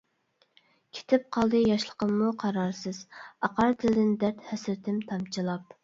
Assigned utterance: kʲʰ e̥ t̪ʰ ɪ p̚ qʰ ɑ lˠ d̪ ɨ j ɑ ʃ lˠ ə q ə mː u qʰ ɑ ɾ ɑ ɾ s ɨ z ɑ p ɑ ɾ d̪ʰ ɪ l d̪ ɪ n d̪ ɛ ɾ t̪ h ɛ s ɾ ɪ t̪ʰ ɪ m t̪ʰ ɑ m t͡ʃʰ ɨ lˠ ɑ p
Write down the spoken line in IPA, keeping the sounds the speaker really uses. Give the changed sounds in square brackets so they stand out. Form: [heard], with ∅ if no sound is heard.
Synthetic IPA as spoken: kʲʰ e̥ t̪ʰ ɪ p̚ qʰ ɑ lˠ d̪ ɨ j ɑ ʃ lˠ ə q ə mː u qʰ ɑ ɾ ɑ ɾ s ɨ z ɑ [q] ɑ ɾ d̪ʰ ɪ l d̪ ɪ n d̪ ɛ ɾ t̪ h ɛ s ɾ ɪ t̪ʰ ɪ m t̪ʰ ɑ m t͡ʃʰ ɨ lˠ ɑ p